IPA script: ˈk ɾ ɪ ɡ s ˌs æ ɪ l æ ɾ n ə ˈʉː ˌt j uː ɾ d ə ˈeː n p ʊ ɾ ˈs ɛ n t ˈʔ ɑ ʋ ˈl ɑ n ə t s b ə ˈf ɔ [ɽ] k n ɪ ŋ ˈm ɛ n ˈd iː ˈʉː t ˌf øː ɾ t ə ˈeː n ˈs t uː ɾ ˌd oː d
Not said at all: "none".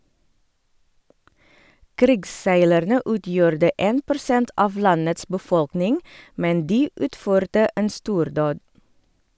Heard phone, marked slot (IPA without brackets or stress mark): l